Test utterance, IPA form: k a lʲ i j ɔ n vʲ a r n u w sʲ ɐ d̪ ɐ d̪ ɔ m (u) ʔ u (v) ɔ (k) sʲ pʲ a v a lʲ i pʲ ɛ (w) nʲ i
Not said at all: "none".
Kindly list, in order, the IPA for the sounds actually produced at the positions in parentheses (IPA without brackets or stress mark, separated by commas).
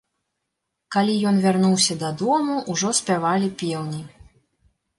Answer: u, ʐ, none, w